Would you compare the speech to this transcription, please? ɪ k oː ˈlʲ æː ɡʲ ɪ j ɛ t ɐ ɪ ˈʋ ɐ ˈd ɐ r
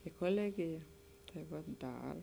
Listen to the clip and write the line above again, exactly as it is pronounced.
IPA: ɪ k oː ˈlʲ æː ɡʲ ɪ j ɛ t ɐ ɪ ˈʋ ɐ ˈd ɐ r